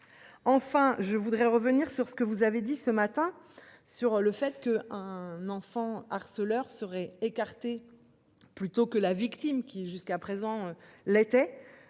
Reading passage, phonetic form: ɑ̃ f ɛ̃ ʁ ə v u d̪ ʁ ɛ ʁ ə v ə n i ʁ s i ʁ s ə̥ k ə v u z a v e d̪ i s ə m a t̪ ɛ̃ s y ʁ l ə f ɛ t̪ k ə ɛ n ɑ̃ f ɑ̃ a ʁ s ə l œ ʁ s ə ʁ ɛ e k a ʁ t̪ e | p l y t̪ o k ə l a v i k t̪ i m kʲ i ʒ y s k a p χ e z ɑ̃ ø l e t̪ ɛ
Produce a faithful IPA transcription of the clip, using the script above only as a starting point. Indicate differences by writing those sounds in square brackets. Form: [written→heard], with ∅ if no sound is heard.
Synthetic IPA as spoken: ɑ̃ f ɛ̃ [ʁ→ʒ] ə v u d̪ ʁ ɛ ʁ ə v ə n i ʁ s [i→y] ʁ s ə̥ k ə v u z a v e d̪ i s ə m a t̪ ɛ̃ s y ʁ l ə f ɛ t̪ k ə [ɛ→ɛ̃] n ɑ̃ f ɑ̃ a ʁ s ə l œ ʁ s ə ʁ ɛ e k a ʁ t̪ e | p l y t̪ o k ə l a v i k t̪ i m kʲ i ʒ y s k a p χ e z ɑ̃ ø l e t̪ ɛ